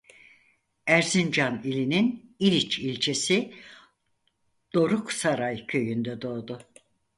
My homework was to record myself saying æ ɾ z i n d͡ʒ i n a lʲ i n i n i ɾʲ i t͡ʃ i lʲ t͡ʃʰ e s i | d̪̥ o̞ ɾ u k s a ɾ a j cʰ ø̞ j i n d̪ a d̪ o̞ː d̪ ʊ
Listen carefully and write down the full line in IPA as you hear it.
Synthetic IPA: æ ɾ z i n d͡ʒ a n i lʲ i n i n i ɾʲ i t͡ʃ i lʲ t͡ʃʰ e s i | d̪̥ o̞ ɾ u k s a ɾ a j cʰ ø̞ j y n d̪ ɛ d̪ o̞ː d̪ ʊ